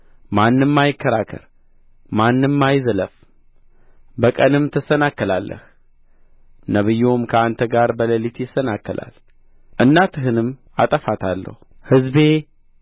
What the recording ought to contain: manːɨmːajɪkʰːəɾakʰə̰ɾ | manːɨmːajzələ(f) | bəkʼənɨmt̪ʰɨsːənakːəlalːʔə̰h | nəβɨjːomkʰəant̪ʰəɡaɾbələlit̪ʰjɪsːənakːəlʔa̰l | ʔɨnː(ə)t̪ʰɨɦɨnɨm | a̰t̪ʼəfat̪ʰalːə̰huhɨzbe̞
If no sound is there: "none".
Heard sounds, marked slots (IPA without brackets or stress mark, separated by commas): f, a